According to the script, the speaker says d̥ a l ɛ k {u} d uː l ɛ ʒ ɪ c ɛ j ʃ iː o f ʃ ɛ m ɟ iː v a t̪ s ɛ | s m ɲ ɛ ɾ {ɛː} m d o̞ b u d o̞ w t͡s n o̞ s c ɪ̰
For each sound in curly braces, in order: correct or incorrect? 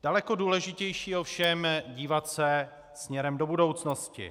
incorrect, incorrect

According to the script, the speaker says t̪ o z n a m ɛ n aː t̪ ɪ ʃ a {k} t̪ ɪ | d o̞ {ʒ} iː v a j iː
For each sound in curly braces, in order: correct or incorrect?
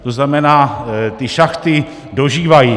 incorrect, correct

